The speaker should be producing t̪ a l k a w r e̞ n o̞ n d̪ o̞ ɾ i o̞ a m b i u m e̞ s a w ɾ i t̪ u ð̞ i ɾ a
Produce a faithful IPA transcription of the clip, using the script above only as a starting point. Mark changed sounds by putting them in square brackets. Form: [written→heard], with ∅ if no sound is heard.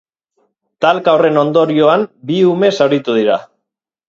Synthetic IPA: t̪ a l k a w r e̞ n o̞ n d̪ o̞ ɾ i o̞ a m b i u m e̞ s a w ɾ i t̪ u ð̞ i ɾ a